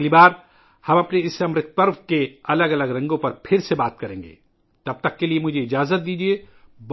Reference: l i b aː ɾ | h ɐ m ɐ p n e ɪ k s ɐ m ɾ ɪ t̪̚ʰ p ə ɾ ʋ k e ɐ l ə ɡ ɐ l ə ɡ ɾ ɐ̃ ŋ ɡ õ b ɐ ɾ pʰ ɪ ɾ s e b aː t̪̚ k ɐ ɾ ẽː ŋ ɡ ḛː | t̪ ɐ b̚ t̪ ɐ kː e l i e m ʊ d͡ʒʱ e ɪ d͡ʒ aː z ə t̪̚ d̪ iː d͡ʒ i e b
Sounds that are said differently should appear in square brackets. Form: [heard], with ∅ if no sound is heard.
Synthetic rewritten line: l i b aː ɾ | h ɐ m ɐ p n e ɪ [∅] s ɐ m ɾ ɪ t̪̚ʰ p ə ɾ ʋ k e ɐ l ə ɡ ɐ l ə ɡ ɾ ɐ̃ ŋ ɡ õ [p] ɐ ɾ pʰ ɪ ɾ s e b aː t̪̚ k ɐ ɾ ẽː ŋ ɡ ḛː | t̪ ɐ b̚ t̪ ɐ kː e l i e m ʊ d͡ʒʱ e ɪ d͡ʒ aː z ə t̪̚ d̪ iː d͡ʒ i e b